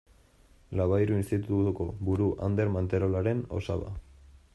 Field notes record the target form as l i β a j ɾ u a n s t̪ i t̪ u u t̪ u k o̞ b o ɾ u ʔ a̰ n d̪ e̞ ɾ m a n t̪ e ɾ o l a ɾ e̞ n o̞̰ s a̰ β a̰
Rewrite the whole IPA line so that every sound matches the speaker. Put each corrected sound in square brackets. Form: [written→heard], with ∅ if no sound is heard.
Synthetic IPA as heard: l [i→a] β a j ɾ u [a→i] n s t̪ i t̪ u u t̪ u k o̞ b [o→u] ɾ u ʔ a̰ n d̪ e̞ ɾ m a n t̪ e ɾ o l a ɾ e̞ n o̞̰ s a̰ β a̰